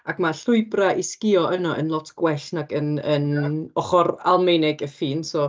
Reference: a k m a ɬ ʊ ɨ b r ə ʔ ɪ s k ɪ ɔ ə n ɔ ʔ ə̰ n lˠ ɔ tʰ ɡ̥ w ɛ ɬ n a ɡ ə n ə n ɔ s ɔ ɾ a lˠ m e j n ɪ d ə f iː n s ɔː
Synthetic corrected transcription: a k m a ɬ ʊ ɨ b r a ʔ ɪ s k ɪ ɔ ə n ɔ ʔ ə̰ n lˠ ɔ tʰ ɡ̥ w ɛ ɬ n a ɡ ə n ə n ɔ χ ɔ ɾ a lˠ m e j n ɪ ɡ ə f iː n s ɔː